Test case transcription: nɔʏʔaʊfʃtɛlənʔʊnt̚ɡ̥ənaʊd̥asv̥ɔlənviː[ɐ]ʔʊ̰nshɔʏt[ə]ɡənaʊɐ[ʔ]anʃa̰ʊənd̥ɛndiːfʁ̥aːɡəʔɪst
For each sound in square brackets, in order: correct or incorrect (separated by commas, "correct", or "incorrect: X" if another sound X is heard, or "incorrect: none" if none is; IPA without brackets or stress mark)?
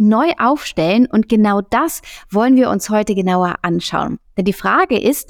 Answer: correct, correct, correct